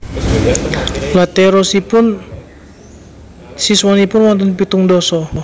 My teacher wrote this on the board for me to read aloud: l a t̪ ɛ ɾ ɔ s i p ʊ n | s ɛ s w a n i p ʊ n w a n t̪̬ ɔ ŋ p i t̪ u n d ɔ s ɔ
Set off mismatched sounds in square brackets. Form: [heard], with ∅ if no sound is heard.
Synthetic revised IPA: l a t̪ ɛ ɾ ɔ s i p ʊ n | s [i] s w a n i p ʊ n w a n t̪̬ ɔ [n] p i t̪ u [ŋ] d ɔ s ɔ